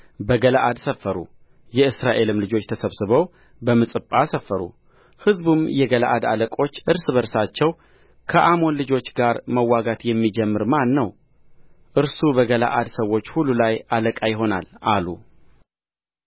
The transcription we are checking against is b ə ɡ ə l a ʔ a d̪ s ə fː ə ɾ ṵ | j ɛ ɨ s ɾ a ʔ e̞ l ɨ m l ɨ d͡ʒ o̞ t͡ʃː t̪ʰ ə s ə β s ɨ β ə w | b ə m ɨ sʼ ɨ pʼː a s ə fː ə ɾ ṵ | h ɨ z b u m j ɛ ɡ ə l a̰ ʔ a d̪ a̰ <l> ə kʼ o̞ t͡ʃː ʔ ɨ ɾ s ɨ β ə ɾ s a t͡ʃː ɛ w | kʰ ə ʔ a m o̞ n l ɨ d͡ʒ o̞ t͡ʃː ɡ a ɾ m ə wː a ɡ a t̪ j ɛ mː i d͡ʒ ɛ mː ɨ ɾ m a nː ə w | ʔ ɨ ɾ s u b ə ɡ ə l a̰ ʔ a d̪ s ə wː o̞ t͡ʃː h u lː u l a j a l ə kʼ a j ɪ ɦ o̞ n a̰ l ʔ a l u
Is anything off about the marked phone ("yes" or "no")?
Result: no